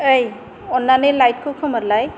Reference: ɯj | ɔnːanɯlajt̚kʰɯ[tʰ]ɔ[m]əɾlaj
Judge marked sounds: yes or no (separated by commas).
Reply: no, yes